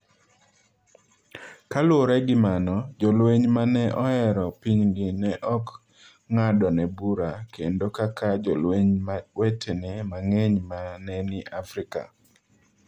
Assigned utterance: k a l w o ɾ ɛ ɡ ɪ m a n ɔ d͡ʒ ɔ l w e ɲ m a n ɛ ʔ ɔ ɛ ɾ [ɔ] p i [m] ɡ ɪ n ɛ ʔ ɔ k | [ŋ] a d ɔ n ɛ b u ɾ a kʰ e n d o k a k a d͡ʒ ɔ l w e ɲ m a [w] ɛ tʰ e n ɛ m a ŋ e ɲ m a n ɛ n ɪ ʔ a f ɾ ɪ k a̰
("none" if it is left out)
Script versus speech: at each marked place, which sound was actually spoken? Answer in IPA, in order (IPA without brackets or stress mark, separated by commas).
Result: ɔ, ɲ, ŋ, w